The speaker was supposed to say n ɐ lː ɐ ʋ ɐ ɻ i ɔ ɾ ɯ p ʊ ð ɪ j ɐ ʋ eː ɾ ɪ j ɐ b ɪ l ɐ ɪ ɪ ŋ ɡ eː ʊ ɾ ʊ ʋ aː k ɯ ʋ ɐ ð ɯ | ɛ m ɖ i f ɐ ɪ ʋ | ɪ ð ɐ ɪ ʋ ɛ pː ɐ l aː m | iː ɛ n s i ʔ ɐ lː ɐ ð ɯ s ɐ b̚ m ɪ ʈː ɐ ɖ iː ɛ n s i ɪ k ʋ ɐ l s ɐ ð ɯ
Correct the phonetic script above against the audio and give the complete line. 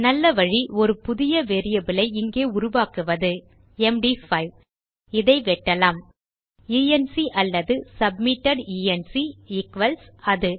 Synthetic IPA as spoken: n ɐ lː ɐ ʋ ɐ ɻ i ɔ ɾ ɯ p ʊ ð ɪ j ɐ ʋ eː ɾ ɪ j ɐ b ɪ l ɐ ɪ ɪ ŋ ɡ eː ʊ ɾ ʊ ʋ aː k ɯ ʋ ɐ ð ɯ | ɛ m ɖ i f ɐ ɪ ʋ | ɪ ð ɐ ɪ ʋ ɛ ʈː ɐ l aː m | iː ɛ n s i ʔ ɐ lː ɐ ð ɯ s ɐ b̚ m ɪ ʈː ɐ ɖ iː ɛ n s i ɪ k ʋ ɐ l s ɐ ð ɯ